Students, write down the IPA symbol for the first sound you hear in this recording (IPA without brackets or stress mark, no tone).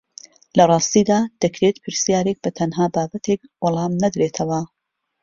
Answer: l